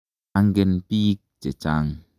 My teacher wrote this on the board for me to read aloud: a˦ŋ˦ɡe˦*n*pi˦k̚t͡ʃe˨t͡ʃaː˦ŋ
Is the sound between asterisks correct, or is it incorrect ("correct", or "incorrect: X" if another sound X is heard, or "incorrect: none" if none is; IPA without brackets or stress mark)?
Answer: correct